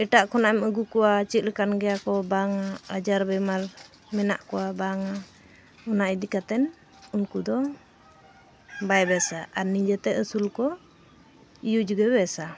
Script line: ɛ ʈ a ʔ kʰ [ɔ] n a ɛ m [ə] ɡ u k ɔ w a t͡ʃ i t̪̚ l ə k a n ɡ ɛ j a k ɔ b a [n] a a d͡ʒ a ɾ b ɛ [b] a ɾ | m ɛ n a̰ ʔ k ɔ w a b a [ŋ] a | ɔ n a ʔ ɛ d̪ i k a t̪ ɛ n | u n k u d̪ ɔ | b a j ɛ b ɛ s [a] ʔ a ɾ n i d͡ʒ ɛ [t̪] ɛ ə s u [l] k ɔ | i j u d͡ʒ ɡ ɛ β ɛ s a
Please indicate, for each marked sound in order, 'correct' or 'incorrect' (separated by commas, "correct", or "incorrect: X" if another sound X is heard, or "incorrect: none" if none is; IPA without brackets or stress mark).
correct, correct, incorrect: ŋ, incorrect: m, correct, correct, correct, correct